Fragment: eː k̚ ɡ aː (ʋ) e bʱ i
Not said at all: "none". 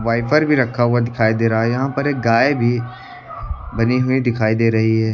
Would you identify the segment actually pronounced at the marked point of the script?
none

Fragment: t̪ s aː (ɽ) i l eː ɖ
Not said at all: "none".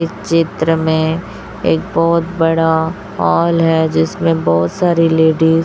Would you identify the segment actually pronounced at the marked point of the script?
ɾ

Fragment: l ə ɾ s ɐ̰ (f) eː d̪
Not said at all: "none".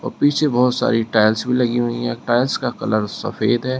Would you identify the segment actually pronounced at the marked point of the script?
f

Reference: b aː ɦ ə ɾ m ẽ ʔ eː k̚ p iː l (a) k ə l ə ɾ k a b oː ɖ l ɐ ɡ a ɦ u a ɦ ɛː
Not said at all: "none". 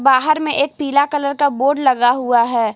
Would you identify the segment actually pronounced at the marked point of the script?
a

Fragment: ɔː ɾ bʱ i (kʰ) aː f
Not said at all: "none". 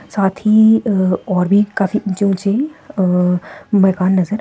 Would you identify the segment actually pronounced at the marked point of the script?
k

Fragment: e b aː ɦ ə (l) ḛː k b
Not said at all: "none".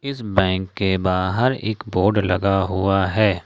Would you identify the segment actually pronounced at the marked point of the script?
ɾ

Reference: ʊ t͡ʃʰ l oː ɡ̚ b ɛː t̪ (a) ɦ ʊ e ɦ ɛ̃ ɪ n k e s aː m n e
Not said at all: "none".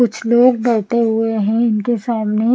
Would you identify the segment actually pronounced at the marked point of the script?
e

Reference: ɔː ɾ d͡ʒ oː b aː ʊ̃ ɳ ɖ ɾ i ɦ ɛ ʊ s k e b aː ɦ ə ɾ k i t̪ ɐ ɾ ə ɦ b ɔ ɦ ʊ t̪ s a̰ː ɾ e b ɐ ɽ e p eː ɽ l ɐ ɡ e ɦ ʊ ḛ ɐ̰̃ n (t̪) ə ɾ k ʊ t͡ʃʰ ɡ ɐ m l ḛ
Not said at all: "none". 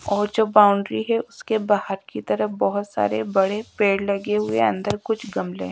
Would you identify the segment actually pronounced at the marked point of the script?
d̪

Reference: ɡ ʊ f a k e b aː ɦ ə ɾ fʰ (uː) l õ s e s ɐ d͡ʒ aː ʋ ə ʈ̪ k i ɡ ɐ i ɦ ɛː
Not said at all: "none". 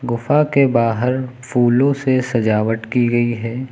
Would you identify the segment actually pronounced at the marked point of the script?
uː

